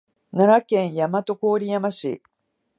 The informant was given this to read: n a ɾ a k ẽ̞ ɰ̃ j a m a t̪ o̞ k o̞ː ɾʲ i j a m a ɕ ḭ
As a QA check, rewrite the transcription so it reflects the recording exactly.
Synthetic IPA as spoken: n a ɾ a k ẽ̞ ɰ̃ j a m a t̪ o̞ k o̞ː ɾʲ i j a m a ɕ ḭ